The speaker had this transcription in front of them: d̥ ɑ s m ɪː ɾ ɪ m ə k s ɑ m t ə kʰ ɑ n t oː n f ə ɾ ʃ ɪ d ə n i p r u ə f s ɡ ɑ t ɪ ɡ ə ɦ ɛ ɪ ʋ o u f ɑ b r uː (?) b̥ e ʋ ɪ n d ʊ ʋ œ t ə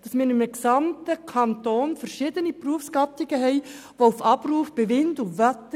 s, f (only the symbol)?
f